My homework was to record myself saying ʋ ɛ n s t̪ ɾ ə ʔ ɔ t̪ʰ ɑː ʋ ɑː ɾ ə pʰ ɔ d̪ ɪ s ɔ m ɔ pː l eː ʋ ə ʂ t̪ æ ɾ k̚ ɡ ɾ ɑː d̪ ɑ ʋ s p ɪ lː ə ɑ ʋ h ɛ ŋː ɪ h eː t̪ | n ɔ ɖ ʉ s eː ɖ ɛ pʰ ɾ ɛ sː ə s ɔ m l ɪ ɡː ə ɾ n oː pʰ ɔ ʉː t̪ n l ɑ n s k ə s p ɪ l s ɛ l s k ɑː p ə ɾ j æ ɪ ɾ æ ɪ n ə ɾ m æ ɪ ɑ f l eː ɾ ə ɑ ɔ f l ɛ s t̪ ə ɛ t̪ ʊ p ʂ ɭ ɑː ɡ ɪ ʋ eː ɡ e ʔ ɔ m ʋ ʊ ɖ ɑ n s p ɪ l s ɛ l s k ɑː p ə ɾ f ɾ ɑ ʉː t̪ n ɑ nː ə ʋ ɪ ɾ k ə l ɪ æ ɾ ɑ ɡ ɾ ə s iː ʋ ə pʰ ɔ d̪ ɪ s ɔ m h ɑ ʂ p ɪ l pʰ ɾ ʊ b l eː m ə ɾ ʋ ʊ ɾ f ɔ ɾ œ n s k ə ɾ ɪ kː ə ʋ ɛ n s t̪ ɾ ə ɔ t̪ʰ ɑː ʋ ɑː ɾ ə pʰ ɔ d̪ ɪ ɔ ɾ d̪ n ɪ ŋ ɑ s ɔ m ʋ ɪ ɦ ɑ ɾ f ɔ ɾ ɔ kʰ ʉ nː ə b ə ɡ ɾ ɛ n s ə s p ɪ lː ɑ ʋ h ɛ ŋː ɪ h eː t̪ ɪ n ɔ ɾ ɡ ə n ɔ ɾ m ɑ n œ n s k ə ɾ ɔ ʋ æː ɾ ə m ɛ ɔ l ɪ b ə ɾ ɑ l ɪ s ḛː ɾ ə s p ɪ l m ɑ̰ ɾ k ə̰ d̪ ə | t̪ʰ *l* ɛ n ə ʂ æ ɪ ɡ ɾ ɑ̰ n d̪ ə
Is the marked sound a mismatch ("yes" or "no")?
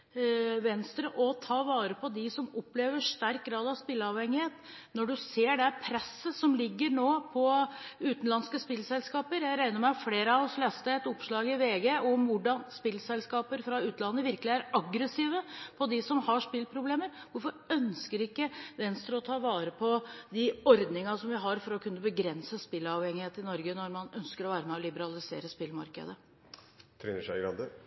yes